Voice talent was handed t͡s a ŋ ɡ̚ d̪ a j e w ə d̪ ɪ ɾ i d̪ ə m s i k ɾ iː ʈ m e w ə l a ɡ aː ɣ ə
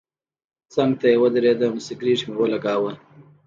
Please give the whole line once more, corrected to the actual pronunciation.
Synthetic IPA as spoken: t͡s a ŋ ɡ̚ t̪ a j e w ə d̪ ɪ ɾ e d̪ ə m s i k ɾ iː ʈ m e w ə l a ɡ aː w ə